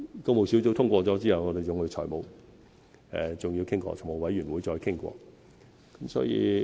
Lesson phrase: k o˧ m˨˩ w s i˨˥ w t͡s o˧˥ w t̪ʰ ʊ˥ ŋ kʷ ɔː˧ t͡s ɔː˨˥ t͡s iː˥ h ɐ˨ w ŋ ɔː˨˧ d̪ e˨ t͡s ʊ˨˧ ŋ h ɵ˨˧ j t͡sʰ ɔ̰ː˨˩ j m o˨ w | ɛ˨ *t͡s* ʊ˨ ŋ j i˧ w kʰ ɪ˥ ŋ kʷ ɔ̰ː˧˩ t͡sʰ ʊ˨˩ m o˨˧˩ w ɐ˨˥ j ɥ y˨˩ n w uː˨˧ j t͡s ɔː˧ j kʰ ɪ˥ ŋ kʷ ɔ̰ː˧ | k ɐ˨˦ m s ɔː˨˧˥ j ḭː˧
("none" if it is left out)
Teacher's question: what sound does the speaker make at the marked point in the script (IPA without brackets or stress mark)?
t͡s